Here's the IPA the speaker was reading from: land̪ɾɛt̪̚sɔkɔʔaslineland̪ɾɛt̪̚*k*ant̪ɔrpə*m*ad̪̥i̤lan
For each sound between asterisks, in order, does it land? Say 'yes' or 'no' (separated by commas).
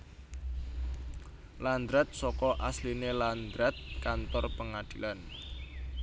yes, no